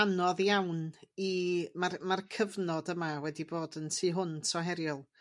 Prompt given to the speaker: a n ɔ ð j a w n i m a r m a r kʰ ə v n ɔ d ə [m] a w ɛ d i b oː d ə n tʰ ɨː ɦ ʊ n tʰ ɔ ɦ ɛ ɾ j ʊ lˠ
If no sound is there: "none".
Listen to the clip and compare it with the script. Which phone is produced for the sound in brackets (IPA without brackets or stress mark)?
m